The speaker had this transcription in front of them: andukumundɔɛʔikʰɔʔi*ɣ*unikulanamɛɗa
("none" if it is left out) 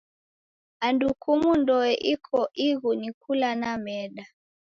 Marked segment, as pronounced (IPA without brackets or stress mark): ɣ